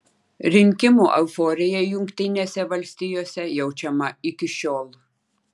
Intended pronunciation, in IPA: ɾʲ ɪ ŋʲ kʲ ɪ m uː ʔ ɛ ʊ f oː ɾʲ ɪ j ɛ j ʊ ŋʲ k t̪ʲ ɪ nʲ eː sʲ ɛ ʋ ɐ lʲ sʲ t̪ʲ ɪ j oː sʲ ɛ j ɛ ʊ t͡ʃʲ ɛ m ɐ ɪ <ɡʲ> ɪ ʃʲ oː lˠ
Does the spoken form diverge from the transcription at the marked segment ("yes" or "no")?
yes